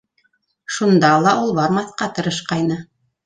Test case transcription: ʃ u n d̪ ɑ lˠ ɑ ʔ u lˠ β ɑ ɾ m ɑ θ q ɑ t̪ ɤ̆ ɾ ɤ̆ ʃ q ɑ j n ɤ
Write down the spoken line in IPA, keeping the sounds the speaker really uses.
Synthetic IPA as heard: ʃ u n d̪ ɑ lˠ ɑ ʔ u lˠ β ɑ ɾ m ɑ θ q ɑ t̪ ɤ̆ ɾ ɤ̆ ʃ q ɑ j n ɤ